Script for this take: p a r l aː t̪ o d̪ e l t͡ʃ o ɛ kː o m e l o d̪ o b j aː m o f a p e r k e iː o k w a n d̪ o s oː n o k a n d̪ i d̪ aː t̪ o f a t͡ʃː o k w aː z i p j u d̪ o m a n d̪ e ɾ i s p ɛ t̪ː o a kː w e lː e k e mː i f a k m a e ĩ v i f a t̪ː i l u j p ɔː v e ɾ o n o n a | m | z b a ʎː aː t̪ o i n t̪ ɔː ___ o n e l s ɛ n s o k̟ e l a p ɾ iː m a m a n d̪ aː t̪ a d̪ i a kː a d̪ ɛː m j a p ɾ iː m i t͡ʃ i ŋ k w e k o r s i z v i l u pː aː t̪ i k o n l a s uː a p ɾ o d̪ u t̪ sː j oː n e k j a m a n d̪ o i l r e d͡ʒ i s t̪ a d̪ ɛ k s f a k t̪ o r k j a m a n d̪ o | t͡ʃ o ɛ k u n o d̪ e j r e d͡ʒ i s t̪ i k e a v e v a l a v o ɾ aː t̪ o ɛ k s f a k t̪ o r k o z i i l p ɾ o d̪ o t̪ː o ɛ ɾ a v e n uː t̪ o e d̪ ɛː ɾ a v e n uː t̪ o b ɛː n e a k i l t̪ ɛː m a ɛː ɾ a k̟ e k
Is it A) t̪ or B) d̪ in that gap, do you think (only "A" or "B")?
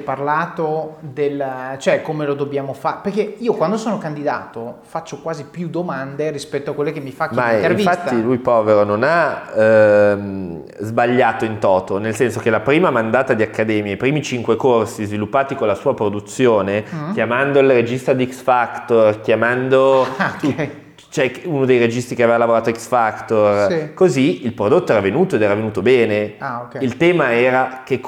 A